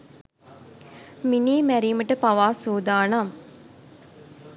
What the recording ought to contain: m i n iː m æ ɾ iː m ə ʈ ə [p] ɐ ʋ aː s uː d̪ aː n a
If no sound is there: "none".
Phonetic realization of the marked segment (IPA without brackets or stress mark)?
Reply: p